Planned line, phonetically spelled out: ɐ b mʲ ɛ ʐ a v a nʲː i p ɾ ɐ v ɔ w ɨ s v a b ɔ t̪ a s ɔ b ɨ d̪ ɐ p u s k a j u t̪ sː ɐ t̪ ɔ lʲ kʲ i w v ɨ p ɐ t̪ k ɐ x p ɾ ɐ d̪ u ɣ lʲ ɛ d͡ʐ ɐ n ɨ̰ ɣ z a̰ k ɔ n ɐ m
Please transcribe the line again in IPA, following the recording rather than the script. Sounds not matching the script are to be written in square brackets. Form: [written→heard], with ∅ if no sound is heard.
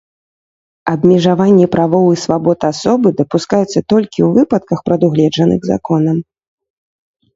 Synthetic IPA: ɐ b mʲ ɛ ʐ a v a nʲː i p ɾ [ɐ→a] v ɔ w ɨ s v a b ɔ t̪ a s ɔ b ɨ d̪ ɐ p u s k a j u t̪ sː ɐ t̪ ɔ lʲ kʲ i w v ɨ p ɐ t̪ k ɐ x p ɾ ɐ d̪ u ɣ lʲ ɛ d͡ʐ ɐ n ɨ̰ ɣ z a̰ k ɔ n ɐ m